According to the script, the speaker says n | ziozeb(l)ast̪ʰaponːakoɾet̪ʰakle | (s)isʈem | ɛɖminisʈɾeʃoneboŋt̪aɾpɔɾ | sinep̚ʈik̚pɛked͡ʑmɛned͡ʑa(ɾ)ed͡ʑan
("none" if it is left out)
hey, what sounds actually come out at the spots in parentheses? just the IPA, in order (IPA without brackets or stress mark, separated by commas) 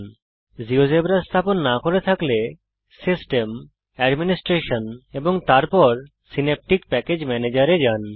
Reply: ɾ, s, ɾ